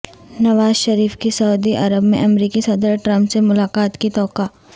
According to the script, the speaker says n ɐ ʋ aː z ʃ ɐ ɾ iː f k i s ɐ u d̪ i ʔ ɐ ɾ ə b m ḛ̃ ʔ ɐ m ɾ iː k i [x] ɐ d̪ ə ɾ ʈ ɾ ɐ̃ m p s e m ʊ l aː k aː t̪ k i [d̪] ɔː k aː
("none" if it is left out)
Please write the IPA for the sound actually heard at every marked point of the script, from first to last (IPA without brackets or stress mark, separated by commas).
s, t̪